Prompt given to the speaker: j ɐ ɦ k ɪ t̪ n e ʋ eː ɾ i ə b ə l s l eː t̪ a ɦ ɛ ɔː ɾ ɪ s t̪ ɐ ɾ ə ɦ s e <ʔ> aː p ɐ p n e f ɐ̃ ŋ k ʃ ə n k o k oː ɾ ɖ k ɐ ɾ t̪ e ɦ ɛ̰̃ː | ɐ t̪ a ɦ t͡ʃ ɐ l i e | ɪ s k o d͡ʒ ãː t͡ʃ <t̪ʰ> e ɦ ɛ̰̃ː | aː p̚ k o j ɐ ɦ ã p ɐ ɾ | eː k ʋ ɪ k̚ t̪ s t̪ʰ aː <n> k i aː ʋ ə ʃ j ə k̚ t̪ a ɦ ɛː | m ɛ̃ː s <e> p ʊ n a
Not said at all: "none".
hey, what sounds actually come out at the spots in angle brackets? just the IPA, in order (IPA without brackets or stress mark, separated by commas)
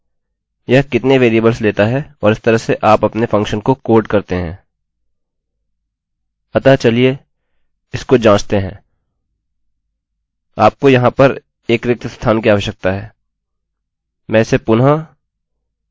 ʔ, t̪, n, e